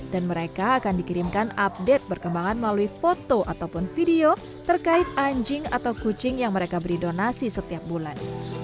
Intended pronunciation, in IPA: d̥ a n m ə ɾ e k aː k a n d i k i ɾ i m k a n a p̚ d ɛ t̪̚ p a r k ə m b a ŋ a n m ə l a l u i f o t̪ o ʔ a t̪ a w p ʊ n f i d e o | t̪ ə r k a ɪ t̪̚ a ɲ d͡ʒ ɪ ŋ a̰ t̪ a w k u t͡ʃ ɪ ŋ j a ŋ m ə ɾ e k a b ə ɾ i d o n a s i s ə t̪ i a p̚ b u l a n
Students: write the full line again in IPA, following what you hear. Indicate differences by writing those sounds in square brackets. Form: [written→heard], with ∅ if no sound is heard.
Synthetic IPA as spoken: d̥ a n m ə ɾ e k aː k a n d i k i ɾ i m k a n a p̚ d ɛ t̪̚ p [a→ə] r k ə m b a ŋ a n m ə l a l u i f o t̪ o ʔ a t̪ a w p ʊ n f i d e o | t̪ ə r k a ɪ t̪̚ a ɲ d͡ʒ ɪ ŋ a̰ t̪ a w k u t͡ʃ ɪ ŋ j a ŋ m ə ɾ e k a b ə ɾ i d o n a s i s ə t̪ i a p̚ b u l a n